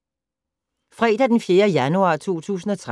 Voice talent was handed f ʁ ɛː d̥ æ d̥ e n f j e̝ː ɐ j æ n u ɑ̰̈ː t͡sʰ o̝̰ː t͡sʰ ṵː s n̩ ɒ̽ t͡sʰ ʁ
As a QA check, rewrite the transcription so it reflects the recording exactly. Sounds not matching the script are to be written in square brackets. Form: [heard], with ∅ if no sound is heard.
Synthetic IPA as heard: f ʁ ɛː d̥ æ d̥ e n f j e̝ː ɐ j æ n u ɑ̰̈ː t͡sʰ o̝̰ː t͡sʰ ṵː s n̩ ɒ̽ t͡sʰ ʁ

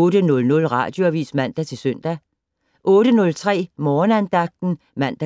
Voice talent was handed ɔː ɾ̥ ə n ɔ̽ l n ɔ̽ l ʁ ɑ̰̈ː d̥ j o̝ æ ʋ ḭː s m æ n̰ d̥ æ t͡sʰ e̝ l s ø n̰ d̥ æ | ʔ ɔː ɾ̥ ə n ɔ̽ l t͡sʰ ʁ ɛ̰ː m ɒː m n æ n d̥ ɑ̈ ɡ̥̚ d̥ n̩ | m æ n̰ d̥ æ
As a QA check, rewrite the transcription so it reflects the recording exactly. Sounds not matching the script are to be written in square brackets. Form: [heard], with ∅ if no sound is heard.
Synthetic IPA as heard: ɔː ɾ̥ ə n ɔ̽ l n ɔ̽ l ʁ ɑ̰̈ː d̥ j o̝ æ ʋ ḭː s m æ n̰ d̥ æ t͡sʰ e̝ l s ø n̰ d̥ æ | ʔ ɔː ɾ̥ ə n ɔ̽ l t͡sʰ ʁ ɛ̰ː m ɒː [∅] n æ n d̥ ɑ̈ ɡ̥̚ d̥ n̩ | m æ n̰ d̥ æ

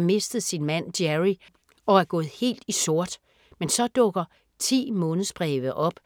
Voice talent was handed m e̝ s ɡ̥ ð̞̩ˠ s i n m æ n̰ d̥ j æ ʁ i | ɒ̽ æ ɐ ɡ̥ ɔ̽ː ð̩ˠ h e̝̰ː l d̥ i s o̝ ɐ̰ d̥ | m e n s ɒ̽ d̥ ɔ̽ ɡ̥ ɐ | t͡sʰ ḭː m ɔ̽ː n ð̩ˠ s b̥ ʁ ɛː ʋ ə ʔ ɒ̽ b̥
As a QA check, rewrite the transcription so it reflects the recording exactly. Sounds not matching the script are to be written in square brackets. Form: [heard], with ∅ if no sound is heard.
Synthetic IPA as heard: m e̝ s [d̥] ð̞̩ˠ s i n m æ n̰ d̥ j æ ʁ i | ɒ̽ æ ɐ ɡ̥ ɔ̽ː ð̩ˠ h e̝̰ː l d̥ i s o̝ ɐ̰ d̥ | m e n s ɒ̽ d̥ ɔ̽ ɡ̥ ɐ | t͡sʰ ḭː m ɔ̽ː n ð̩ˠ s b̥ ʁ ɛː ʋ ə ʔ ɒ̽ b̥

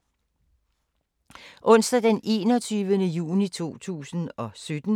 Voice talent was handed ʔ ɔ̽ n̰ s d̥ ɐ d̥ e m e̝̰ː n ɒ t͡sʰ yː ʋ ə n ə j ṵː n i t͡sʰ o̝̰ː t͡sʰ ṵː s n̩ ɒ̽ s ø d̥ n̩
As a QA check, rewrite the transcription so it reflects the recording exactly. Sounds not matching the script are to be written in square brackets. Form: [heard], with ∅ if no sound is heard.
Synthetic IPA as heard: ʔ ɔ̽ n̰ s d̥ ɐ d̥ e [n] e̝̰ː n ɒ t͡sʰ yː ʋ ə n ə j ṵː n i t͡sʰ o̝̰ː t͡sʰ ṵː s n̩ ɒ̽ s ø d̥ n̩

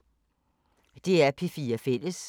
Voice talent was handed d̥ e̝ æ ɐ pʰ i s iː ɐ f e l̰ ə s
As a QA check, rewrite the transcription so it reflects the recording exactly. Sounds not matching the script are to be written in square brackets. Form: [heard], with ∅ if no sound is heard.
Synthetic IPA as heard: d̥ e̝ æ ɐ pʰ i [f] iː ɐ f e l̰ ə s

